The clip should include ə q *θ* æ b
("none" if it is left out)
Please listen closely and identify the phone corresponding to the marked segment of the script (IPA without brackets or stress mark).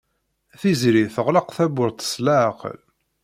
θ